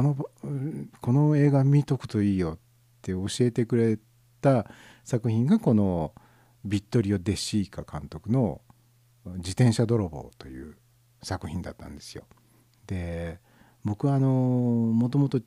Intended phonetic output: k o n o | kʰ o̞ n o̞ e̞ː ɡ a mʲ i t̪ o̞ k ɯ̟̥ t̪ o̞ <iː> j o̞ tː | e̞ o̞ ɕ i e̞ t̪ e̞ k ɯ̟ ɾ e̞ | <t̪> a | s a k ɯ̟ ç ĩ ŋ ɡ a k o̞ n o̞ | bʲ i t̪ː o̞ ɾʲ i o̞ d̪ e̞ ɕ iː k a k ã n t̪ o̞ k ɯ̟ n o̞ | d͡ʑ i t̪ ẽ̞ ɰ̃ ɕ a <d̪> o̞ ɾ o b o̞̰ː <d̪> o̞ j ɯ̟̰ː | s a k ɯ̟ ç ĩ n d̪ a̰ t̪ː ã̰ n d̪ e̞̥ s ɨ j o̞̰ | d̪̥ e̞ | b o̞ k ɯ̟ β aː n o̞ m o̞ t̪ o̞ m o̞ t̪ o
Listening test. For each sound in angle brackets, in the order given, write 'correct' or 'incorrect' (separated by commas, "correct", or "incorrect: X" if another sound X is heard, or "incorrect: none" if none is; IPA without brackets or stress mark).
correct, correct, correct, incorrect: t̪